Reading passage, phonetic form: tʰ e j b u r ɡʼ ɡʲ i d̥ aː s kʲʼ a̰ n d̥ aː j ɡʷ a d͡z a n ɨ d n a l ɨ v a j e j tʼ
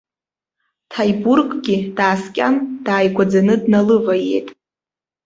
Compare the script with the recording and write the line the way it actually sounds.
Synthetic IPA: tʰ a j b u r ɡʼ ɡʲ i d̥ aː s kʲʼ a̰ n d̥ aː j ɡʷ a d͡z a n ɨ d n a l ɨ v a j e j tʼ